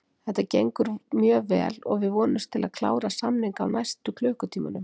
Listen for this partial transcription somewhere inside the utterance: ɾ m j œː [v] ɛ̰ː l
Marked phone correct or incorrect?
correct